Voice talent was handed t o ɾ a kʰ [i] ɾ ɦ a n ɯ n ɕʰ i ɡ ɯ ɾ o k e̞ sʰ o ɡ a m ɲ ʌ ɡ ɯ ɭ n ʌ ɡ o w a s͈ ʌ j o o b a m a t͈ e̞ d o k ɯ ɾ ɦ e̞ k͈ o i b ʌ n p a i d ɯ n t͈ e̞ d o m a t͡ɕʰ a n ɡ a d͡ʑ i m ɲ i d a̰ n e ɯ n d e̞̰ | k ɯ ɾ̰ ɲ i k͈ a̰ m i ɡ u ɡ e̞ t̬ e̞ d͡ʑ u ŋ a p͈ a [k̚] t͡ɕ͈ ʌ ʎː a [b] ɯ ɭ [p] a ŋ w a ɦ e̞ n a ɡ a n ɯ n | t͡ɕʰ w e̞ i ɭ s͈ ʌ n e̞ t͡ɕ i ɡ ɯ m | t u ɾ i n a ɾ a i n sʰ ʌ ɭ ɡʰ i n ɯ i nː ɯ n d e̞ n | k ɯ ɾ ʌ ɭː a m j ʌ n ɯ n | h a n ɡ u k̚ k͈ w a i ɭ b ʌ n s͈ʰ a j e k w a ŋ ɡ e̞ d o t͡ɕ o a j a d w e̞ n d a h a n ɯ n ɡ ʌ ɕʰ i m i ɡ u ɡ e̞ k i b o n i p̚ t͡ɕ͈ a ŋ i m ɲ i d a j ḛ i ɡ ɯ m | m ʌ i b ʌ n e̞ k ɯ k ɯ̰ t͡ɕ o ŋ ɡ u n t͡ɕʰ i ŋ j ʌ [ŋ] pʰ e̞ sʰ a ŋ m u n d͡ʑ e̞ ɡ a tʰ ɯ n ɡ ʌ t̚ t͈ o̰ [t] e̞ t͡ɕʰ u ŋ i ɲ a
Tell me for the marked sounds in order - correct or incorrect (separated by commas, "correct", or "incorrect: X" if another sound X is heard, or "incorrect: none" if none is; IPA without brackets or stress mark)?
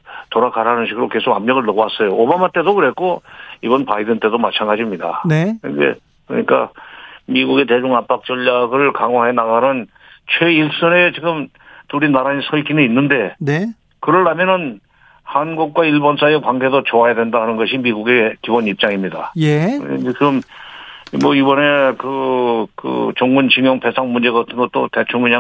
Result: incorrect: a, correct, incorrect: ɡ, incorrect: k, correct, correct